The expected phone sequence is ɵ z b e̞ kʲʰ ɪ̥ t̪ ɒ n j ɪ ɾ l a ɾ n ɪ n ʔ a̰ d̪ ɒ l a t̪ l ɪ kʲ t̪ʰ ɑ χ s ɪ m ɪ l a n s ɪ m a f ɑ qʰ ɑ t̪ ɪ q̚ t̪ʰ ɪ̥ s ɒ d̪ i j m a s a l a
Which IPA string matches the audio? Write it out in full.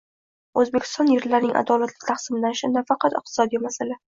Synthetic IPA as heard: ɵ z b e̞ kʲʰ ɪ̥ t̪ ɒ n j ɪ ɾ l a ɾ n ɪ ŋ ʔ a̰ d̪ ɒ l a t̪ l ɪ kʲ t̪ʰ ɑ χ s ɪ m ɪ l a n ʃ ɪ n a f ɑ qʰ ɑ t̪ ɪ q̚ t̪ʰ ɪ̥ s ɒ d̪ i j m a s a l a